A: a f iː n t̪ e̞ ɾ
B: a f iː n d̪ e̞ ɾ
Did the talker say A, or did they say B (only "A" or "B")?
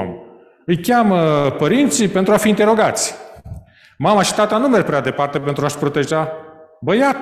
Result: A